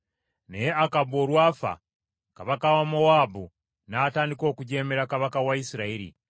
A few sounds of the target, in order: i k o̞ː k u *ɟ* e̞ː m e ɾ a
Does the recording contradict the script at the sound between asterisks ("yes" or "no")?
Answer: no